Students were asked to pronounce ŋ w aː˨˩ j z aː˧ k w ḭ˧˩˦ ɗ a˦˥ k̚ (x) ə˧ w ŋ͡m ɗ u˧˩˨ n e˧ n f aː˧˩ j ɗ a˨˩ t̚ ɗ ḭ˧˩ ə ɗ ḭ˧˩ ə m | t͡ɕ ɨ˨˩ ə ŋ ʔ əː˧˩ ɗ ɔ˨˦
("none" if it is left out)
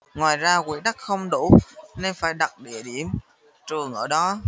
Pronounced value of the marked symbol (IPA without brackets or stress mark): x